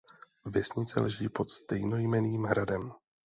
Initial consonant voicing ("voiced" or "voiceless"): voiced